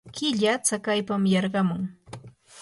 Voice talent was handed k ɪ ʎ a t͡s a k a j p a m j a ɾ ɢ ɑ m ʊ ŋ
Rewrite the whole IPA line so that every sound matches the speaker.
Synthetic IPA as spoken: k ɪ ʎ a t͡s a k a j p a m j ɑ ɾ ɢ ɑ m ʊ ŋ